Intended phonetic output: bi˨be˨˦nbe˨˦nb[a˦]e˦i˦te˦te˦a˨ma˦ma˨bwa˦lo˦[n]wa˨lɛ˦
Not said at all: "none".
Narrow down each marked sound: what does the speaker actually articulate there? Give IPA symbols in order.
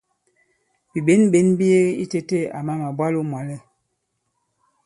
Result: i˦, m

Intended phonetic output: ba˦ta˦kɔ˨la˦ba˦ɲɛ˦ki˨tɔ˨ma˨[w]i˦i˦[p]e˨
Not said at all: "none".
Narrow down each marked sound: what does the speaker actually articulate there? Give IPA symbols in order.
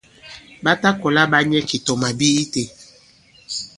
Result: b, t

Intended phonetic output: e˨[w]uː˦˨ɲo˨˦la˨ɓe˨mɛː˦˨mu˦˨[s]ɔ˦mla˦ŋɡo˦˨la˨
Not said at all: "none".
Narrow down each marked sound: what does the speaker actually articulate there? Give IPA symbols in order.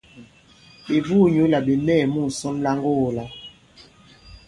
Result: v, s

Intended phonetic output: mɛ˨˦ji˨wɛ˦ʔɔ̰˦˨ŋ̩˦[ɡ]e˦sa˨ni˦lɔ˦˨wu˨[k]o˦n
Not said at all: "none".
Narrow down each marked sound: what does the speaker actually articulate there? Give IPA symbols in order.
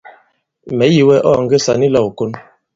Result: ɡ, k

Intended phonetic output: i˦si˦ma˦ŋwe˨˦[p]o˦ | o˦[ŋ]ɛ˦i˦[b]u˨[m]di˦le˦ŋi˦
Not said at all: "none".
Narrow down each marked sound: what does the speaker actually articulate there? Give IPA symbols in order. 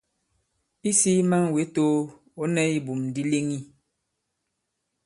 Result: t, n, b, m

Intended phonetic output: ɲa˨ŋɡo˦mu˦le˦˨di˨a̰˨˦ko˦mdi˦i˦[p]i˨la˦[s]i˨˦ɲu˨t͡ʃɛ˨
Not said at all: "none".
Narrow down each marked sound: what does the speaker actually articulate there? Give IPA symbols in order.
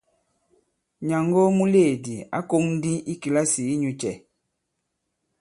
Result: k, s

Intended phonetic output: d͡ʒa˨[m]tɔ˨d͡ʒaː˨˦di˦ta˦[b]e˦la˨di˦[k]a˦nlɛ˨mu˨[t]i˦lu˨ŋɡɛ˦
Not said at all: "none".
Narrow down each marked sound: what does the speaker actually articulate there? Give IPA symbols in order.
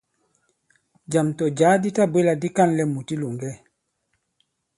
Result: m, b, k, t

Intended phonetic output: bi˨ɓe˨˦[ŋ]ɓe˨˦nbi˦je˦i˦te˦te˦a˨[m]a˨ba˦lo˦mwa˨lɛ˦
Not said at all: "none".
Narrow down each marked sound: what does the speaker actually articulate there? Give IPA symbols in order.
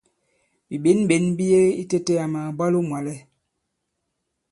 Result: n, m

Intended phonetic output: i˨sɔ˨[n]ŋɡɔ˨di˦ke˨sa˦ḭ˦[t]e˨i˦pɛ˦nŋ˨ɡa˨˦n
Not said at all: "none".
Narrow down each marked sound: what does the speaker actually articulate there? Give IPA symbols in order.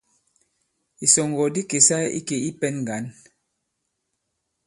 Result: none, k

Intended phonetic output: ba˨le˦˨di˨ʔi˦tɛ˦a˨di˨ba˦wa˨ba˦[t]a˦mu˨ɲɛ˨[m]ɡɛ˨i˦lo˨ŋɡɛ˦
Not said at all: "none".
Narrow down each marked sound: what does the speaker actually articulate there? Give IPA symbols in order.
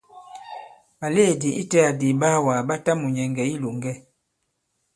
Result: t, ŋ

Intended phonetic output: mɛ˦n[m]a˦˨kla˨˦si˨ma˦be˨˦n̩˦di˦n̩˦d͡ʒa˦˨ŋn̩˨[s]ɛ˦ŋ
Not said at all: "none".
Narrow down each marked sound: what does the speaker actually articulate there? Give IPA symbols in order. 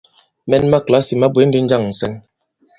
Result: m, s

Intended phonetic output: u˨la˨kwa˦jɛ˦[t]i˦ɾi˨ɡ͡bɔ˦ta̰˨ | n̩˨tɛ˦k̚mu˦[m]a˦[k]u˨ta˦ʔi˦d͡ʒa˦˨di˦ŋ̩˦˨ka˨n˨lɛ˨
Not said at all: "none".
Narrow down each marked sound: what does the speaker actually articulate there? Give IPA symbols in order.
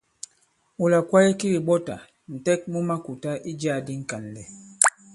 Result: k, m, k

